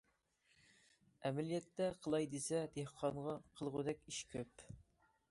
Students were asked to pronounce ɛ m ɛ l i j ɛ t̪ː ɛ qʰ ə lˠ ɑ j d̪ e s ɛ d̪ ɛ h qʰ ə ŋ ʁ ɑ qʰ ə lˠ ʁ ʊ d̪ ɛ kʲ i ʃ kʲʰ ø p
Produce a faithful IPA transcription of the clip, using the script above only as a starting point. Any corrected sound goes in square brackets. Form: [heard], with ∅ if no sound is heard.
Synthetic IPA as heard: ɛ m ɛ l i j ɛ t̪ː ɛ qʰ ə lˠ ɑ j d̪ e s ɛ d̪ [e] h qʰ [ɑ] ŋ ʁ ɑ qʰ ə lˠ ʁ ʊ d̪ ɛ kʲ i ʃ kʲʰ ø p